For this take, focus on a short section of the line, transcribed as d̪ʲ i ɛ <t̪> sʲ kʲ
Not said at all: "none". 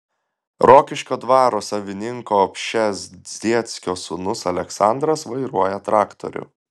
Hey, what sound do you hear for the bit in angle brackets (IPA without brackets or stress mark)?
t̪